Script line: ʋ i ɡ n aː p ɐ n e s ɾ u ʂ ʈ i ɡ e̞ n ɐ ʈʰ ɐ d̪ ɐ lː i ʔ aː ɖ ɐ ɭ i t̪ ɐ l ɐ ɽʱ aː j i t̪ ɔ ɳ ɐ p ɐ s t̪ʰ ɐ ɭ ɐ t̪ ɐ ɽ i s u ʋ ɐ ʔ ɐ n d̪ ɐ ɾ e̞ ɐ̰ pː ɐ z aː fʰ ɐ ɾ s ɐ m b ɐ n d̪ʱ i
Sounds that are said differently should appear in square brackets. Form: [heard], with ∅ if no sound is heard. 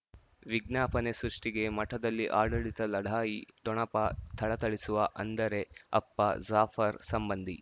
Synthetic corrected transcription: ʋ i ɡ n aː p ɐ n e s ɾ u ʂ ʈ i ɡ e̞ [m] ɐ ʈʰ ɐ d̪ ɐ lː i ʔ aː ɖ ɐ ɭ i t̪ ɐ l ɐ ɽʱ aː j i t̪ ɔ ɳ ɐ p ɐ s t̪ʰ ɐ ɭ ɐ t̪ ɐ [ɭ] i s u ʋ ɐ ʔ ɐ n d̪ ɐ ɾ e̞ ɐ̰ pː ɐ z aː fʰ ɐ ɾ s ɐ m b ɐ n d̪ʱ i